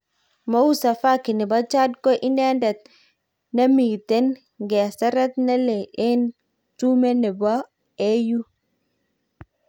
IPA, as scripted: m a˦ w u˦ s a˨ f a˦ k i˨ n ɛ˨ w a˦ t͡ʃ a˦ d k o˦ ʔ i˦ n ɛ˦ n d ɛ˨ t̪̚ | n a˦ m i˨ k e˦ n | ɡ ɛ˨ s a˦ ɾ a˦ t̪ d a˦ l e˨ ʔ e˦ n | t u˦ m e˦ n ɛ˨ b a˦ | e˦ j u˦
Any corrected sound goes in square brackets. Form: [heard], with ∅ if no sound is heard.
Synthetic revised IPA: m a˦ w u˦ s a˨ f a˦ k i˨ n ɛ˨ [b] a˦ t͡ʃ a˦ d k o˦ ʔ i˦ n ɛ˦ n d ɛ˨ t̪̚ | n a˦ m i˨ [t] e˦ n | ɡ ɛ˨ s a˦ ɾ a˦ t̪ [n] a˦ l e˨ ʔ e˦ n | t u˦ m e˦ n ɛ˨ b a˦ | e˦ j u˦